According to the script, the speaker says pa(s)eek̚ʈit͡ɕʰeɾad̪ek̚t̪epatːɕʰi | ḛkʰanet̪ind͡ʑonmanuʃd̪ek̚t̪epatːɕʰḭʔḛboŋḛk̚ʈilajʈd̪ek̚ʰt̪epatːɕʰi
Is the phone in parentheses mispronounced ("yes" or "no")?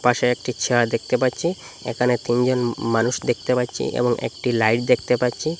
yes